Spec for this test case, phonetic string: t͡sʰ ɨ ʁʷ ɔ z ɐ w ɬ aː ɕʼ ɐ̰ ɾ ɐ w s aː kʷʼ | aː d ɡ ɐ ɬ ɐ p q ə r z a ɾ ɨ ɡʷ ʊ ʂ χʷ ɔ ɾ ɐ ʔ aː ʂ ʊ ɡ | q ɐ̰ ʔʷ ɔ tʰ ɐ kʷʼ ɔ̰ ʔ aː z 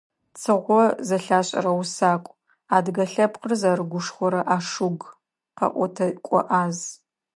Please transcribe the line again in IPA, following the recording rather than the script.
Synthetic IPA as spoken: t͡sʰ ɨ ʁʷ ɔ z ɐ ɬ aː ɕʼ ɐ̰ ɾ ɐ w s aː kʷʼ | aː d ɡ ɐ ɬ ɐ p q ə r z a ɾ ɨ ɡʷ ʊ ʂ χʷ ɔ ɾ ɐ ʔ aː ʂ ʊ ɡ | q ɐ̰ ʔʷ ɔ tʰ ɐ kʷʼ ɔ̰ ʔ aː z